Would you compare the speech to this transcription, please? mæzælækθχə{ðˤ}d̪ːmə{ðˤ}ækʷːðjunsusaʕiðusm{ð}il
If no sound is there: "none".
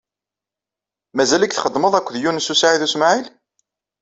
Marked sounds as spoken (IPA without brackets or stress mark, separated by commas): none, ðˤ, ʕ